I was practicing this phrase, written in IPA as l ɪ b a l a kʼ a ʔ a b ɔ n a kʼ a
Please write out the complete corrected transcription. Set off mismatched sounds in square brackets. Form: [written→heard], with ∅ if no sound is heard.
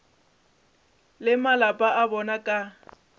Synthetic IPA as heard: l ɪ [b→m] a l a [kʼ→pʼ] a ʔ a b ɔ n a kʼ a